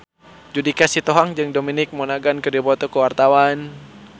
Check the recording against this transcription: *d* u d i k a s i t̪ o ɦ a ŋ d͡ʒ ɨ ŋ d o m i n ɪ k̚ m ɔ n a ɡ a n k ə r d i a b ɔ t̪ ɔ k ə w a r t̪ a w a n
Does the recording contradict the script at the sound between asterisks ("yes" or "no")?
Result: yes